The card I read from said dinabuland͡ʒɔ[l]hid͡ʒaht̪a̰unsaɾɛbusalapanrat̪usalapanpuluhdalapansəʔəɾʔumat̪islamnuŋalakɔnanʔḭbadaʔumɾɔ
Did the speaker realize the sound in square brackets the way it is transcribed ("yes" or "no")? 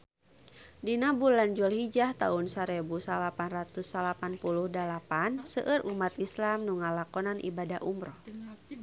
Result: yes